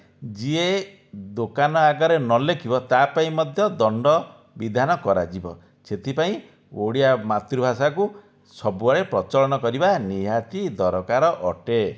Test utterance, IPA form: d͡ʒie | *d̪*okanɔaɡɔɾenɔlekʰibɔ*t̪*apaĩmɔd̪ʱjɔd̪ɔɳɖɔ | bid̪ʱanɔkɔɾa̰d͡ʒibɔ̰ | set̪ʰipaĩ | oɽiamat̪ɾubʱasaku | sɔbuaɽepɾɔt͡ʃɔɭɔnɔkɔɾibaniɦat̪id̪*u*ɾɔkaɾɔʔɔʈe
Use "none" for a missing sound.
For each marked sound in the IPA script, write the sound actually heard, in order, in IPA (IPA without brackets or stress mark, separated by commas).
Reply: d̪, t̪, ɔ